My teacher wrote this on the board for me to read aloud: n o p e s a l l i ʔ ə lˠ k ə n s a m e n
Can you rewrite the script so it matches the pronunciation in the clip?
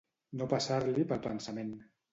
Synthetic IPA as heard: n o p a s a ɾ l i p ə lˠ p ə n s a m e n